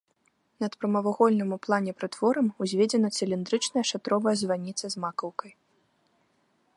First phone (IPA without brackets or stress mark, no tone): n